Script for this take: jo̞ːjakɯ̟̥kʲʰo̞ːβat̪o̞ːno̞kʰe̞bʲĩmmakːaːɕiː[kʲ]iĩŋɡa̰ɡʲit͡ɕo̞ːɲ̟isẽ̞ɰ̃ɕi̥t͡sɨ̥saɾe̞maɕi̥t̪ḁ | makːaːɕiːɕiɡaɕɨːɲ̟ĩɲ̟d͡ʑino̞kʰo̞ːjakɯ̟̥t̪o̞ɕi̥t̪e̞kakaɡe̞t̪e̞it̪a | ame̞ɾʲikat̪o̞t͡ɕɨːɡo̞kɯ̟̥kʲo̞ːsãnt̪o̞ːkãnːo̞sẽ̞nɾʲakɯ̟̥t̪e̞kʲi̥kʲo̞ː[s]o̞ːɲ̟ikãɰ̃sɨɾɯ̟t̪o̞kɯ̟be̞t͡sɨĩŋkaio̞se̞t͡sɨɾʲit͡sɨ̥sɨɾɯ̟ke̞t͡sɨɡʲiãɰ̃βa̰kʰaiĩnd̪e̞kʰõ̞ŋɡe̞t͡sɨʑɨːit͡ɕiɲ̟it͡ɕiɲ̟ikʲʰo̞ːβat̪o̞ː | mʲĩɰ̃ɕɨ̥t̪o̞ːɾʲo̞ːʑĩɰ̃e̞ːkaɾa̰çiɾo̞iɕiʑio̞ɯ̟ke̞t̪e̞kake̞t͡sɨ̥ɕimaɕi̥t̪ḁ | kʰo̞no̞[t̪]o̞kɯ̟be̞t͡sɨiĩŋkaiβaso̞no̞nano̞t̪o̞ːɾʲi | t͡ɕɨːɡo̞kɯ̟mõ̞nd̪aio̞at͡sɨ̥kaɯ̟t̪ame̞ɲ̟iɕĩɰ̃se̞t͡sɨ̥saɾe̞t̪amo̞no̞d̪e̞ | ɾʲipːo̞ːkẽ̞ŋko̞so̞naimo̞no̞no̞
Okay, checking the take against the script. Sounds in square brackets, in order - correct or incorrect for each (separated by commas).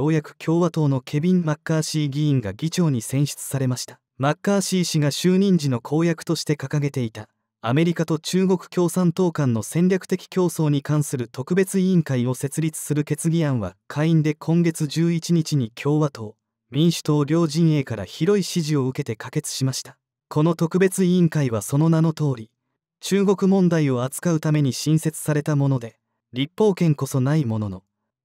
incorrect, correct, correct